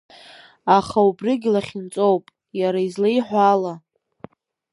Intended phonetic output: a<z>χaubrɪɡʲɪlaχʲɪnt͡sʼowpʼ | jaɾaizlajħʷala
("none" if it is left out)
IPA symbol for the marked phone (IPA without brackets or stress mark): none